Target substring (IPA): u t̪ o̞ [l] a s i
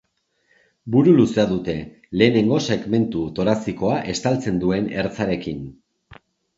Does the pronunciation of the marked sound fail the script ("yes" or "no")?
yes